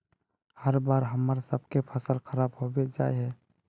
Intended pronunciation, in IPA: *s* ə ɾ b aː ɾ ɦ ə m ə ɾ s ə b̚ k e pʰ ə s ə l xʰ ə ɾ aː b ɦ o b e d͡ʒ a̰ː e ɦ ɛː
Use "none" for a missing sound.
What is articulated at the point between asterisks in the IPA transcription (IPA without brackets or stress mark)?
h